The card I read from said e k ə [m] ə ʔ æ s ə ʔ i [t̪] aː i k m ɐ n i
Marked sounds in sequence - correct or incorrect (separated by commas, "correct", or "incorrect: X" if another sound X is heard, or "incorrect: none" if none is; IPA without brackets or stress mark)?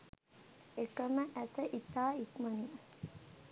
correct, correct